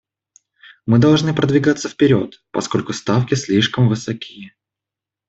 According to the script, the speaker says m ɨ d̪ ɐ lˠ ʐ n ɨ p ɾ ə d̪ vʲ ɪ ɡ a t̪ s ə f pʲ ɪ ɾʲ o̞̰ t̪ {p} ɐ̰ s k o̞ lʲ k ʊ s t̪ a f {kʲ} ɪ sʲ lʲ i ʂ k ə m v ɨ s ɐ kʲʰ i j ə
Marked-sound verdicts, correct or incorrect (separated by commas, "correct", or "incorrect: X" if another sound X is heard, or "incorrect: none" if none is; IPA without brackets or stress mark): correct, correct